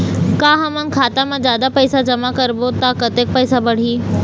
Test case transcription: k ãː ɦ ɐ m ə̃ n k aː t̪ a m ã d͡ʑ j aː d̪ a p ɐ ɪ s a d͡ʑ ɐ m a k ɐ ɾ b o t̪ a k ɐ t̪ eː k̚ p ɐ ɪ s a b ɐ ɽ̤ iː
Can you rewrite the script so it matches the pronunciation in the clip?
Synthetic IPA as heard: k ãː ɦ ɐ m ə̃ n kʰ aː t̪ a m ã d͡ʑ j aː d̪ a p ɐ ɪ s a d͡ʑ ɐ m a k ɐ ɾ b o t̪ a k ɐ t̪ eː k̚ p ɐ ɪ s a b ɐ ɽ̤ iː